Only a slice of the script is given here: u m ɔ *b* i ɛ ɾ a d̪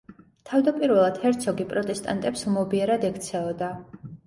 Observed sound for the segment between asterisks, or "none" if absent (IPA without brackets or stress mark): b